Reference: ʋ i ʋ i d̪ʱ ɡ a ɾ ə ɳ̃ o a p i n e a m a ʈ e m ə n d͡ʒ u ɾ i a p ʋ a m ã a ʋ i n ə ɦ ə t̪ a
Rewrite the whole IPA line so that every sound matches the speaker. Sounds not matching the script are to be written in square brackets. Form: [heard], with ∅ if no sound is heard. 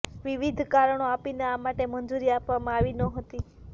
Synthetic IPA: ʋ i ʋ i d̪ʱ [k] a ɾ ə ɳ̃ o a p i n e a m a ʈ e m ə n d͡ʒ u ɾ i a p ʋ a m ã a ʋ i n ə ɦ ə t̪ [i]